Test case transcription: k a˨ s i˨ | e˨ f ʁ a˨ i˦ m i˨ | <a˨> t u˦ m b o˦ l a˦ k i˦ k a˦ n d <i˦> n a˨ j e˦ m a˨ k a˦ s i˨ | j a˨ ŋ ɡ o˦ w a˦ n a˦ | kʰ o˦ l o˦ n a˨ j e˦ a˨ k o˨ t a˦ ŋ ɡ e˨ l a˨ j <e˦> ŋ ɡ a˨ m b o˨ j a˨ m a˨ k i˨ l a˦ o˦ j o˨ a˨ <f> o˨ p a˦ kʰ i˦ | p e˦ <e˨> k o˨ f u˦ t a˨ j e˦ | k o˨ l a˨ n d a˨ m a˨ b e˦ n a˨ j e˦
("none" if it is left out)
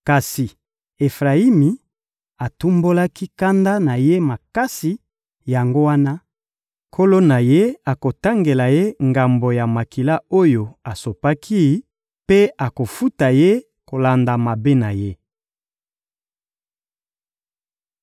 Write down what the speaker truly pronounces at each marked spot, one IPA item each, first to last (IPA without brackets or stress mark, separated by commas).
a˨, a˦, e˦, s, a˨